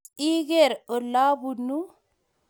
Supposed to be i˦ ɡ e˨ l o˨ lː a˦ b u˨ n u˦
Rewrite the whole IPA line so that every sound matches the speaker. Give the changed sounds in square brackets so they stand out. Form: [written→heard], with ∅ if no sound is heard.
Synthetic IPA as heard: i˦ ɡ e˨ [l→ɾ] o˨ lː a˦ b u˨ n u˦